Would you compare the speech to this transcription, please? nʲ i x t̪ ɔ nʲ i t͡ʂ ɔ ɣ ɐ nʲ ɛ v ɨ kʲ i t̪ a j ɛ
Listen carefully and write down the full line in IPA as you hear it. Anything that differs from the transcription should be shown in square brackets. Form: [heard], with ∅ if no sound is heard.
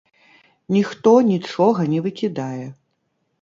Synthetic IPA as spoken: nʲ i x t̪ ɔ nʲ i t͡ʂ ɔ ɣ ɐ nʲ ɛ v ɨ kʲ i [d̪] a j ɛ